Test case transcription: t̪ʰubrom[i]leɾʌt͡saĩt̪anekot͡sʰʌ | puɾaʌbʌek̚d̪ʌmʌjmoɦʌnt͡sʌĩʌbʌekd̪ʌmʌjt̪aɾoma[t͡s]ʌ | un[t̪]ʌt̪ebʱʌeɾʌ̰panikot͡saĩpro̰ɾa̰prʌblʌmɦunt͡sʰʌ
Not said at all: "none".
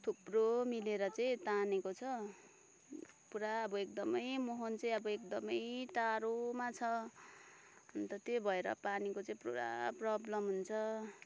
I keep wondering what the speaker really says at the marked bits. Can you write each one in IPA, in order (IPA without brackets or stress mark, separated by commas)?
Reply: i, t͡sʰ, t̪